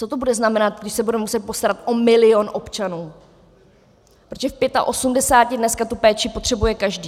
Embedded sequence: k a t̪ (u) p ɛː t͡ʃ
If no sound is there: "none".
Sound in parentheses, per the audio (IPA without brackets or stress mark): u